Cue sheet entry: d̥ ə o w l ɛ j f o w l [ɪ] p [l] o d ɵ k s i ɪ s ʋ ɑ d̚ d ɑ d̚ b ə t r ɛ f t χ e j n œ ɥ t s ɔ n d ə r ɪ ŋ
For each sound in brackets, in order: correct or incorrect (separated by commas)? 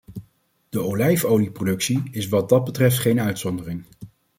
incorrect, incorrect